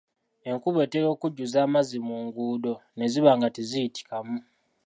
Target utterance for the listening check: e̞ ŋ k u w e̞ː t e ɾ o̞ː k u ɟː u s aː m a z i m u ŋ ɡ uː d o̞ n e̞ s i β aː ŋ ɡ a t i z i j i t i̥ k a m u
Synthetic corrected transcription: e̞ ŋ k u β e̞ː t e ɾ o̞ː k u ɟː u z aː m a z i m u ŋ ɡ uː d o̞ n e̞ z i β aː ŋ ɡ a t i z i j i t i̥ k a m u